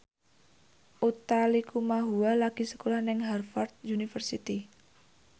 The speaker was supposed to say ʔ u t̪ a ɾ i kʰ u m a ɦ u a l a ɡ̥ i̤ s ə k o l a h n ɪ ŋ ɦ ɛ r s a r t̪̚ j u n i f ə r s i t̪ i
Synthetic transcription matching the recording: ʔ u t̪ a l i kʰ u m a ɦ u a l a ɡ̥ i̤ s ə k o l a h n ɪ ŋ ɦ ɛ r f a r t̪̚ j u n i f ə r s i t̪ i